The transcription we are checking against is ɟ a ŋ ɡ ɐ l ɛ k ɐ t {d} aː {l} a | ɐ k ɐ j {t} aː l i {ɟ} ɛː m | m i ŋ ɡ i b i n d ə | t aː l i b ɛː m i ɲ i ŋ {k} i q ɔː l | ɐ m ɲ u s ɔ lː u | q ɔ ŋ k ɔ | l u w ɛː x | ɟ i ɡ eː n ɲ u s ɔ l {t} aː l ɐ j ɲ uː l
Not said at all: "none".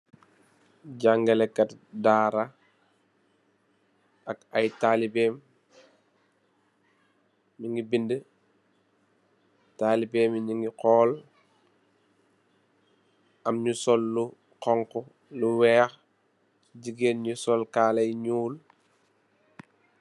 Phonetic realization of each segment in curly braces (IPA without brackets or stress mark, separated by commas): d, ɾ, t, b, ɡ, k